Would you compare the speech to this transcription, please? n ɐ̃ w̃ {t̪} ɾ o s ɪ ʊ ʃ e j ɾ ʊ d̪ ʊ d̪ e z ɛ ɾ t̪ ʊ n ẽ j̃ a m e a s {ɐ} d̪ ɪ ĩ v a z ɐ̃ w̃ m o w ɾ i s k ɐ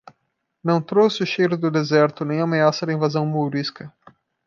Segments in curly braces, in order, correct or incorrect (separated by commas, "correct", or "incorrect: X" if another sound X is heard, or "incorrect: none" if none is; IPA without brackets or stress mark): correct, correct